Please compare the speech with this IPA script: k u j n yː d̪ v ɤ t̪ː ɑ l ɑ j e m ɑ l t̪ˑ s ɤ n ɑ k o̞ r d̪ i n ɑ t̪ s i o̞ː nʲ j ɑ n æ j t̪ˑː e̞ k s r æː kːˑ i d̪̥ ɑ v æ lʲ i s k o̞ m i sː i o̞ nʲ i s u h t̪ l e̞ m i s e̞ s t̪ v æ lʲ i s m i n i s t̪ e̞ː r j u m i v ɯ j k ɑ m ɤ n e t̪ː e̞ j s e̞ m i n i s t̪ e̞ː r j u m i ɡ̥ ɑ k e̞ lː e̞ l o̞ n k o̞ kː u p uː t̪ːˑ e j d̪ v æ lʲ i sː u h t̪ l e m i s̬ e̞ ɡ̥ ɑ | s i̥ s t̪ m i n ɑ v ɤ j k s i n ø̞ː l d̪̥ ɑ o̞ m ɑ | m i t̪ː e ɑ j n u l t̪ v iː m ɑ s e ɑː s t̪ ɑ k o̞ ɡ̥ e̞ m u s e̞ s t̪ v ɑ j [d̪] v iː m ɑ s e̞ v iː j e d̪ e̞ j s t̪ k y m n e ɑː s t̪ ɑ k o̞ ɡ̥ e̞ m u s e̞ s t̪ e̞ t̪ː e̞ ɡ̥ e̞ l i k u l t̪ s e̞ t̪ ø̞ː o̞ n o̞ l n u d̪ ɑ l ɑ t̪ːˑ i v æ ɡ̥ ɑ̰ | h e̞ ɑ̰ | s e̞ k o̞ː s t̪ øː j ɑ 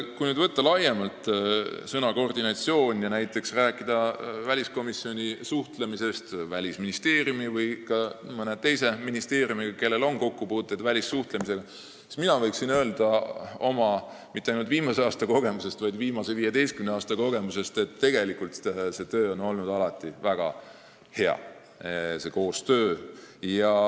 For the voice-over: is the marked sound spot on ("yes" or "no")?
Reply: yes